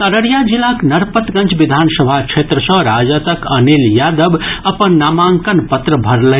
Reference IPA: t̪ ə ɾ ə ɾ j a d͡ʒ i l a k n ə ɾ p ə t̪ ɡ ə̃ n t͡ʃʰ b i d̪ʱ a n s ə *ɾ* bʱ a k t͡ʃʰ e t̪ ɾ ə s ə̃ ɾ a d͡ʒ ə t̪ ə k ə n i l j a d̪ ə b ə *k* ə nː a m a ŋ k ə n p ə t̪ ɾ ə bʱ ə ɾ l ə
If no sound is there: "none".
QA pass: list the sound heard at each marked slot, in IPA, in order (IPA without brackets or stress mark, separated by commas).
none, p